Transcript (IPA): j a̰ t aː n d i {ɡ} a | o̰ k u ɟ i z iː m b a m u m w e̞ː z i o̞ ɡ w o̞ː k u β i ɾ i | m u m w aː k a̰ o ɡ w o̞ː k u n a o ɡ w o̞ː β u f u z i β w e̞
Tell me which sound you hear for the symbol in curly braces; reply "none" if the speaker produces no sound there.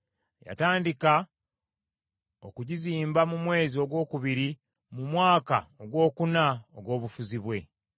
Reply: k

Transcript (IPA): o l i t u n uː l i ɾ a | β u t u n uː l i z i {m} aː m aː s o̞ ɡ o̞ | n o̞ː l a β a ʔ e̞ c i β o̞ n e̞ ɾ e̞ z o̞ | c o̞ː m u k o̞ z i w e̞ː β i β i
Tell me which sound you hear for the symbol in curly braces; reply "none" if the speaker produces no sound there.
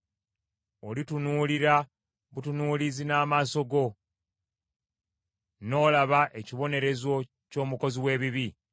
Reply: n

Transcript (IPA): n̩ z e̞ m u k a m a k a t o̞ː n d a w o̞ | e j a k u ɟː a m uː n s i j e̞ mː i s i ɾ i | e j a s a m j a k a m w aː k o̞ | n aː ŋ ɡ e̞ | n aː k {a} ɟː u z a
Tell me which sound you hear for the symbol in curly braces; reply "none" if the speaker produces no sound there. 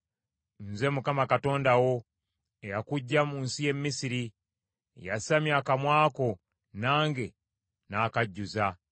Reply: a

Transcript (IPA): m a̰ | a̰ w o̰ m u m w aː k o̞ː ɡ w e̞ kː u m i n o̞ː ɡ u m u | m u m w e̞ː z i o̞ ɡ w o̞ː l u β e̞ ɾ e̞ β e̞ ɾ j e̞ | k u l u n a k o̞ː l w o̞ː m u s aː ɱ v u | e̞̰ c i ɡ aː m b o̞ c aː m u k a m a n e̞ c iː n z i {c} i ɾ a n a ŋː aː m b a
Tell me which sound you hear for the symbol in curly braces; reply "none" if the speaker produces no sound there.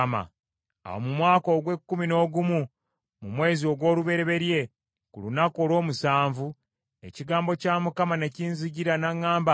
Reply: ɟ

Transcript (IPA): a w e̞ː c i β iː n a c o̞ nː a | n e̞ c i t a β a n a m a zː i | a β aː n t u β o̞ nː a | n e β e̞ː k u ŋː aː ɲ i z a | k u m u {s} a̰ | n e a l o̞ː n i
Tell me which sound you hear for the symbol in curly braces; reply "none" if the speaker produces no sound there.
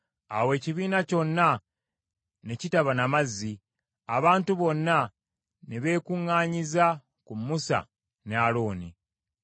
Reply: s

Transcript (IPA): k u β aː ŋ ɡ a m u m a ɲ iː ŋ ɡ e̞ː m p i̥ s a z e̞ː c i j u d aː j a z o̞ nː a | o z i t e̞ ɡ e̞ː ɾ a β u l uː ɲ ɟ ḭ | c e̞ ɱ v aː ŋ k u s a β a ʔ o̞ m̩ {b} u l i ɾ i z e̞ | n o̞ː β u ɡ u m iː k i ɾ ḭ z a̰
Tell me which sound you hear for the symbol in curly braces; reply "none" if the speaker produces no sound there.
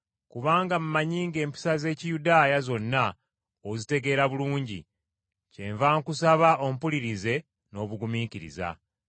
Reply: p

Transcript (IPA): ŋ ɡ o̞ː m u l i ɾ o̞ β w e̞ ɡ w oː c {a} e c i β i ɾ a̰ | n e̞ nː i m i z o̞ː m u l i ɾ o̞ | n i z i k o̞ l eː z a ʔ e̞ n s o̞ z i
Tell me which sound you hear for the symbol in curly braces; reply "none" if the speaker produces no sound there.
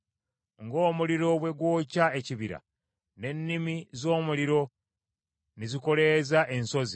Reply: a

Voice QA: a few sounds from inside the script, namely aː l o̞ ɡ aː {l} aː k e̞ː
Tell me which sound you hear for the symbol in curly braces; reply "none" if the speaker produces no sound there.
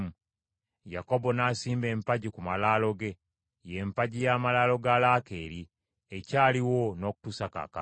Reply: l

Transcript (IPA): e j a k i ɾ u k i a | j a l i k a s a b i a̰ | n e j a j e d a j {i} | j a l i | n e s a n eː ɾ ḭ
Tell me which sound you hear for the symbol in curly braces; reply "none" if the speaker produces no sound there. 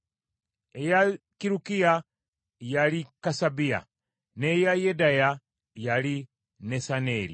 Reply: a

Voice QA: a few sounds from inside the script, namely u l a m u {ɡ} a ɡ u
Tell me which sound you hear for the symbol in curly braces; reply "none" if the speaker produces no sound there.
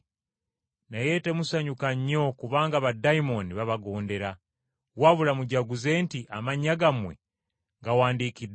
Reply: ɟ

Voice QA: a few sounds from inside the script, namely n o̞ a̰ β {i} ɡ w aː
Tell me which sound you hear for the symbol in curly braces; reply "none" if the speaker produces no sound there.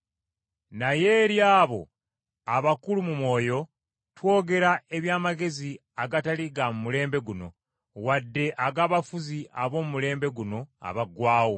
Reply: a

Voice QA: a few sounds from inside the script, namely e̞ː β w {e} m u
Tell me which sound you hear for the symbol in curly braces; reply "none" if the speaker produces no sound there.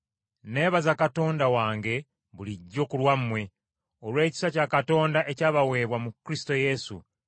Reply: a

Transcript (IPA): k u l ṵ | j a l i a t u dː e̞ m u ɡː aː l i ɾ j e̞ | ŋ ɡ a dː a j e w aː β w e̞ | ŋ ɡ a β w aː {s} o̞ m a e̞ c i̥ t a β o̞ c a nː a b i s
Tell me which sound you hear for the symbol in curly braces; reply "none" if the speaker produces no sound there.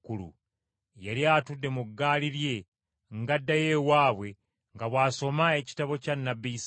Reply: s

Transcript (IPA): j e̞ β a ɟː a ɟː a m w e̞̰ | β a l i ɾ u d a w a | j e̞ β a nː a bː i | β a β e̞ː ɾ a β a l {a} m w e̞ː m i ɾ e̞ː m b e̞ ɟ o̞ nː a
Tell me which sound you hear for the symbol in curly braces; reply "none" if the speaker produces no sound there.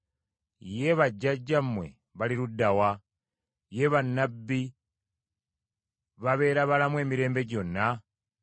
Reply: a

